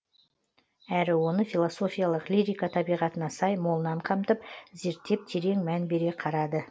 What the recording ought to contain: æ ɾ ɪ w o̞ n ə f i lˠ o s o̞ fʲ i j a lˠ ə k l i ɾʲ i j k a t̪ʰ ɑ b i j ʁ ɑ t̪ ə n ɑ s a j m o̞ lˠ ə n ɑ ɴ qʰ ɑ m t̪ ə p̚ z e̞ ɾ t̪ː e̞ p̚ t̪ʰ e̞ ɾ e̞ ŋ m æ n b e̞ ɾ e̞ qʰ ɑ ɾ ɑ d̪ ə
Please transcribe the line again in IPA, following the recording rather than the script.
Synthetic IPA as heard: æ ɾ ɪ w o̞ n ə f i lˠ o s o̞ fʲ i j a lˠ ə q l i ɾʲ i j k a t̪ʰ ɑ b i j ʁ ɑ t̪ ə n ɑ s ɑ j m o̞ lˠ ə n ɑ ɴ qʰ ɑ m t̪ ə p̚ z e̞ ɾ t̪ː e̞ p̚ t̪ʰ e̞ ɾ e̞ ŋ m æ n b e̞ ɾ e̞ qʰ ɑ ɾ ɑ d̪ ə